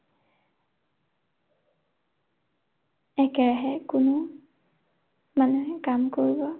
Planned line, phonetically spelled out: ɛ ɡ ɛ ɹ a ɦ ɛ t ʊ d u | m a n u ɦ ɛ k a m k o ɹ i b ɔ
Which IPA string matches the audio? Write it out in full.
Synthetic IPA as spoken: ɛ k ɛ ɹ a ɦ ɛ k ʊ n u | m a n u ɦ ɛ k a m k o ɹ i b ɔ